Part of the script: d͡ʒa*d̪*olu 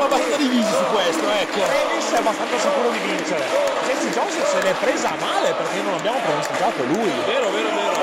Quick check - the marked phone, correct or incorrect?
incorrect